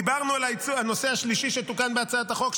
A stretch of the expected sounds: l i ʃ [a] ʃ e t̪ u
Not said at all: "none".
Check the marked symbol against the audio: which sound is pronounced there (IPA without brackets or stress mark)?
i